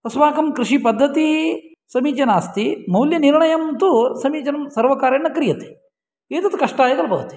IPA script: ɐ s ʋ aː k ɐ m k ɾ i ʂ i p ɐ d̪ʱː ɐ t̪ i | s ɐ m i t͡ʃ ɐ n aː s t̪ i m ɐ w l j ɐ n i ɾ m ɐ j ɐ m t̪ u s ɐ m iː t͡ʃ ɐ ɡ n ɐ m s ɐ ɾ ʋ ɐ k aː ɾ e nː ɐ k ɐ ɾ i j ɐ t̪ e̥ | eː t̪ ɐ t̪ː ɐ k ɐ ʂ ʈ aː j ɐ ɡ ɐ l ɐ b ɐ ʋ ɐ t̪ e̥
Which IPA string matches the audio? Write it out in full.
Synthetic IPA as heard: ɐ s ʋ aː k ɐ m k ɾ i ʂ i p ɐ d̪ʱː ɐ t̪ i | s ɐ m iː t͡ʃ ɐ n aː s t̪ i m ɐ w l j ɐ n i ɾ ɳ ɐ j ɐ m t̪ u s ɐ m iː t͡ʃ ɐ n ɐ m s ɐ ɾ ʋ ɐ k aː ɾ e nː ɐ k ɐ ɾ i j ɐ t̪ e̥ | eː t̪ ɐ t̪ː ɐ k ɐ ʂ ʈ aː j ɐ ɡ ɐ l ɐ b ɐ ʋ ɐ t̪ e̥